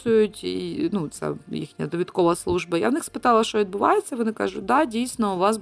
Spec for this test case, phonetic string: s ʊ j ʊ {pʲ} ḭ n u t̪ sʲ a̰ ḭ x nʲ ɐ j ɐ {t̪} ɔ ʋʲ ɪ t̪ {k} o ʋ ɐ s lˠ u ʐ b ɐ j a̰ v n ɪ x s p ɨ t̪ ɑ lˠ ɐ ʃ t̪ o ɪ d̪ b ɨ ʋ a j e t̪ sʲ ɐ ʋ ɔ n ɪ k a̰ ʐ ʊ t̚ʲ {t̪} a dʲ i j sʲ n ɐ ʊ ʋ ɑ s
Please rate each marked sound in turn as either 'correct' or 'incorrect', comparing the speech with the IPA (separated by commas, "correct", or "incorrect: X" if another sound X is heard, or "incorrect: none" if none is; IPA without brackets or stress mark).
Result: incorrect: tʲ, incorrect: d̪, correct, incorrect: d̪